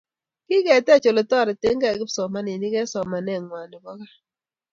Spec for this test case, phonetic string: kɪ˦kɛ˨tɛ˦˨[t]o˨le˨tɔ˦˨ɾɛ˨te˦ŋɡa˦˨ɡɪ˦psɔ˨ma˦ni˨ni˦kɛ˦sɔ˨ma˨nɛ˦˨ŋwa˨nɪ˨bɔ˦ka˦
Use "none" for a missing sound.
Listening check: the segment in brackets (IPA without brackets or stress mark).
t͡ʃ